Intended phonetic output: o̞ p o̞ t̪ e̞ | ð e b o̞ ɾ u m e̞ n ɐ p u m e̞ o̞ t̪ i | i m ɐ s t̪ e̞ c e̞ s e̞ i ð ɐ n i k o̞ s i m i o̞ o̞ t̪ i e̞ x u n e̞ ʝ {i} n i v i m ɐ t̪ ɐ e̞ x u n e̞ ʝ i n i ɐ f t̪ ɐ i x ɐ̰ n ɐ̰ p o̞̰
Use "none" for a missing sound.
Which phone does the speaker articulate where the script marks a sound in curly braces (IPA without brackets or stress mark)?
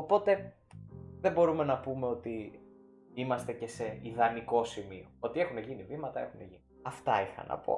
i